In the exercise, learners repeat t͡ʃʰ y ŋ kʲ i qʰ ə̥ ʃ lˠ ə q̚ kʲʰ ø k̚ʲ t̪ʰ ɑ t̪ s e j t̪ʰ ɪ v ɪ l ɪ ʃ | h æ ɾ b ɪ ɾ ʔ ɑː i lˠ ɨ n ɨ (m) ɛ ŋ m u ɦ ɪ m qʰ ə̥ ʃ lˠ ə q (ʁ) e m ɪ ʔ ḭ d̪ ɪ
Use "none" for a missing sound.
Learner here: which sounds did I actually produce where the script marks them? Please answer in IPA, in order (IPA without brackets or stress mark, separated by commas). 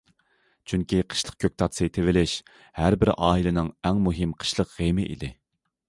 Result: ŋ, ʁ